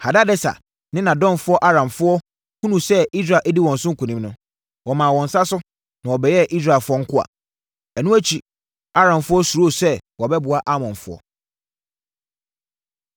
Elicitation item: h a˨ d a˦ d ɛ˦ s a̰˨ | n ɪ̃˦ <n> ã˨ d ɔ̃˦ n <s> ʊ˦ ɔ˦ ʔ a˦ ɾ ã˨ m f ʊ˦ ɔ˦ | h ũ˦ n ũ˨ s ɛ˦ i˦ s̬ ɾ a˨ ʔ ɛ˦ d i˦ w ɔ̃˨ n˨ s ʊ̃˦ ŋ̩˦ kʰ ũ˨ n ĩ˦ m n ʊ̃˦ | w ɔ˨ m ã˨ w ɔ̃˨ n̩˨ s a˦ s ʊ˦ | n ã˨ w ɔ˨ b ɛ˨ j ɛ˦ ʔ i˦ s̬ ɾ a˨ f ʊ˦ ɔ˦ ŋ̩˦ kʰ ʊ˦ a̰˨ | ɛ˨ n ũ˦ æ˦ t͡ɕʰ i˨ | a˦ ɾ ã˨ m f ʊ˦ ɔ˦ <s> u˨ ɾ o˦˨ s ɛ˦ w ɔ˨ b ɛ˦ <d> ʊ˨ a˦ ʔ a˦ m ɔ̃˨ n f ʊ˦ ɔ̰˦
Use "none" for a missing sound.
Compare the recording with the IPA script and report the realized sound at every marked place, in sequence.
n, f, s, b

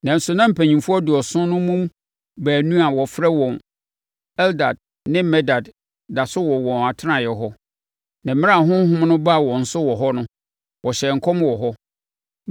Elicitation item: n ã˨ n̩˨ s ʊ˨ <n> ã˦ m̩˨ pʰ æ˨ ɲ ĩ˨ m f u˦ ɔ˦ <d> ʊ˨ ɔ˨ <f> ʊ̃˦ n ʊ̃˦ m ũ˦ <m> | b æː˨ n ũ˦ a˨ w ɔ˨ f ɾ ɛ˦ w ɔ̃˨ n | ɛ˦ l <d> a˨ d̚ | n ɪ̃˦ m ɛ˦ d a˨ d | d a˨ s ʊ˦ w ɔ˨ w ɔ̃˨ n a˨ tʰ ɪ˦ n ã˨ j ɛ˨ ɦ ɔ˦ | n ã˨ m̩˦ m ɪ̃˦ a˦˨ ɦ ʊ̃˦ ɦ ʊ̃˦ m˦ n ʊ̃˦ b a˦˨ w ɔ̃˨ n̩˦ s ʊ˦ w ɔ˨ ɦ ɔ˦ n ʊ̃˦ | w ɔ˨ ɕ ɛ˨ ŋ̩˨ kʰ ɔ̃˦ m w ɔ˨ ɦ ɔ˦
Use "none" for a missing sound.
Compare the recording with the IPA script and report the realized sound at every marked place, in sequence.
n, d, s, m, d

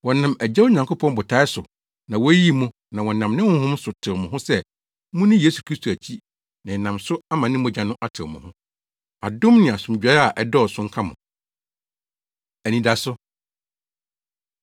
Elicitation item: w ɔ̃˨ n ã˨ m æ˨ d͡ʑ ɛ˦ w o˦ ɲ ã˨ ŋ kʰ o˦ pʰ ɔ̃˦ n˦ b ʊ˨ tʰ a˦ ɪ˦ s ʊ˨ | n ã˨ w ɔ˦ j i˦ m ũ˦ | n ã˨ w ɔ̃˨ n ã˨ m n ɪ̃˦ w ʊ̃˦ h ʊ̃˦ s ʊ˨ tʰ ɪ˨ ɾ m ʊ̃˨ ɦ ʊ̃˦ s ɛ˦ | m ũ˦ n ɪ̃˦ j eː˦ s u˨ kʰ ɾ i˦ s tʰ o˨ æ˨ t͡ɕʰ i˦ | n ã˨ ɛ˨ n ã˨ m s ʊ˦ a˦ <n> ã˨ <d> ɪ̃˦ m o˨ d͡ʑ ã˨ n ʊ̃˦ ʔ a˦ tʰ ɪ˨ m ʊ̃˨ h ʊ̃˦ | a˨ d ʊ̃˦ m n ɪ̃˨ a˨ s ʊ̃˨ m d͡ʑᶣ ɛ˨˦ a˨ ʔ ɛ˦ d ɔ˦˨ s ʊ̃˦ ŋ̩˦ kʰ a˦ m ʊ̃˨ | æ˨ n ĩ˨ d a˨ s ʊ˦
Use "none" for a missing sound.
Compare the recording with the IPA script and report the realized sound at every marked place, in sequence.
m, n

